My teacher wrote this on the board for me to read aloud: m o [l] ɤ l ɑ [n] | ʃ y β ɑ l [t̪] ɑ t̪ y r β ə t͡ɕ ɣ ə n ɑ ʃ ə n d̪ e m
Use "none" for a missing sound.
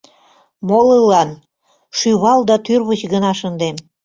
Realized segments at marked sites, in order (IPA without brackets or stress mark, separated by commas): l, n, d̪